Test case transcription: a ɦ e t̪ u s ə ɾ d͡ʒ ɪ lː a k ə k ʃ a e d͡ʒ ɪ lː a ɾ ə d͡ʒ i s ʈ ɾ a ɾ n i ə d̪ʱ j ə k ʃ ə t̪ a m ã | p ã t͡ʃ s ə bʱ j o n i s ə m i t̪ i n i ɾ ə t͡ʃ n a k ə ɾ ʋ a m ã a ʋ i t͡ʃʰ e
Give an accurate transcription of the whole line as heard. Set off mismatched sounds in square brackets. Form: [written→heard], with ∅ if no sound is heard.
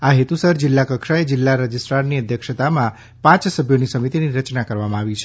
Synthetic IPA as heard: a ɦ e t̪ u s ə ɾ d͡ʒ ɪ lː a k ə k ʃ a e d͡ʒ ɪ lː a ɾ ə d͡ʒ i s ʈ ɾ a ɾ n i ə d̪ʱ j ə k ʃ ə t̪ a m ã | p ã t͡ʃ s ə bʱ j o n i s ə m i t̪ i n i ɾ ə t͡ʃ n a k ə ɾ ʋ a m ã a ʋ i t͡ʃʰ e